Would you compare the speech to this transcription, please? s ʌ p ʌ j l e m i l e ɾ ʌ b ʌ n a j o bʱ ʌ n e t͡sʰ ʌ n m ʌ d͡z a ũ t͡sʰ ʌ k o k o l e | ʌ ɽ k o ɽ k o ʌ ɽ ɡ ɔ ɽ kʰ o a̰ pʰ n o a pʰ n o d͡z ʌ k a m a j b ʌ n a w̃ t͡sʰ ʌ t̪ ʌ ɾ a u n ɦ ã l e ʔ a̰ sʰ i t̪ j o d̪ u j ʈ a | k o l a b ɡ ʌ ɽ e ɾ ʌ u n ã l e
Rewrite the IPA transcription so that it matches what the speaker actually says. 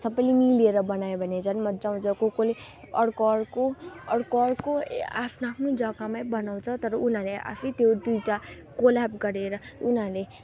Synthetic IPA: s ʌ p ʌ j l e m i l e ɾ ʌ b ʌ n a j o bʱ ʌ n e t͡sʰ ʌ n m ʌ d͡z a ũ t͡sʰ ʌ k o k o l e | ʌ ɽ k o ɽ k o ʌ ɽ k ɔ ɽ k o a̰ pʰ n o a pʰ n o d͡z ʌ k a m a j b ʌ n a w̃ t͡sʰ ʌ t̪ ʌ ɾ ʌ u n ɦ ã l e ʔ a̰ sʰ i t̪ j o d̪ u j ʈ a | k o l a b ɡ ʌ ɾ e ɾ ʌ u n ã l e